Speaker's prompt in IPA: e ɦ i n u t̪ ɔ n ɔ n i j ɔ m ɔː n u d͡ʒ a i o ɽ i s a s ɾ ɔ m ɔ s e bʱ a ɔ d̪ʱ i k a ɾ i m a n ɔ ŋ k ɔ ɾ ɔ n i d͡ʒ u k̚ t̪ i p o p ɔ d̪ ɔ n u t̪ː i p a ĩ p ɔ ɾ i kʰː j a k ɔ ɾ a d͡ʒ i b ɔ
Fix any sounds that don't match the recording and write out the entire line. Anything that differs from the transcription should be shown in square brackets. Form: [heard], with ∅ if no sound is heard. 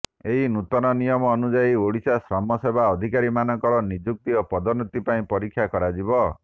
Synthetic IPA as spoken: e ɦ i n u t̪ ɔ n ɔ n i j ɔ m ɔː n u d͡ʒ a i o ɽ i s a s ɾ ɔ m ɔ s e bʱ a ɔ d̪ʱ i k a ɾ i m a n ɔ ŋ k ɔ ɾ ɔ n i d͡ʒ u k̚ t̪ i [∅] o p ɔ d̪ ɔ n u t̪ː i p a ĩ p ɔ ɾ i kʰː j a k ɔ ɾ a d͡ʒ i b ɔ